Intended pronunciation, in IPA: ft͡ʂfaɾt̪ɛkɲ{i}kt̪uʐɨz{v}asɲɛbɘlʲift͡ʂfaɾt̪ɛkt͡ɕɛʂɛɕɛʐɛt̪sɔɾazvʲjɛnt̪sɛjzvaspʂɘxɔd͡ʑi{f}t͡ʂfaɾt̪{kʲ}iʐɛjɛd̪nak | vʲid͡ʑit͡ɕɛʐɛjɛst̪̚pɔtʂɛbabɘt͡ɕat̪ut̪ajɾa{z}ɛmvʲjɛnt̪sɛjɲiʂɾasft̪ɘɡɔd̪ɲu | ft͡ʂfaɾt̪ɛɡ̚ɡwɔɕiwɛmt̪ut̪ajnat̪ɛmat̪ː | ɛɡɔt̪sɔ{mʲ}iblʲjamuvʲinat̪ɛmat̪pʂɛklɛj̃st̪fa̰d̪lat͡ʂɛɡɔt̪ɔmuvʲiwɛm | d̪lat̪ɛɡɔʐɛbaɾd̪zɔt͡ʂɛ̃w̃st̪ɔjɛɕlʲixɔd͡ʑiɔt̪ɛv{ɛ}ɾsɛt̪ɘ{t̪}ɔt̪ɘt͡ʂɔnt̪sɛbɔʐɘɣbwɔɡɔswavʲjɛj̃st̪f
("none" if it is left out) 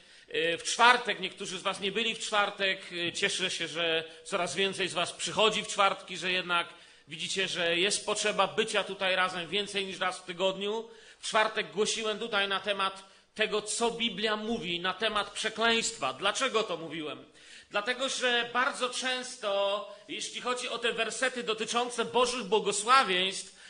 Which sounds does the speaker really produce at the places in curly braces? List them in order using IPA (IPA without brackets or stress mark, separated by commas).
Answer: ɛ, v, f, kʲ, z, bʲ, ɛ, d̪